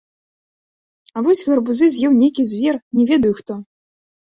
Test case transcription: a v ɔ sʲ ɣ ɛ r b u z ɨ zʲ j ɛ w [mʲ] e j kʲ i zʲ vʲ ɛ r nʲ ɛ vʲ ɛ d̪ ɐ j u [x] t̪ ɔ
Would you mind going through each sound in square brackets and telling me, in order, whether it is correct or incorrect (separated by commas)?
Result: incorrect, correct